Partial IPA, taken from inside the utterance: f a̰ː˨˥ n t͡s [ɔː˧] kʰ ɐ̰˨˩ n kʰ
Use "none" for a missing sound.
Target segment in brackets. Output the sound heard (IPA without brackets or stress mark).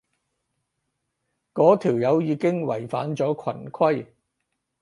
ɔː˨˥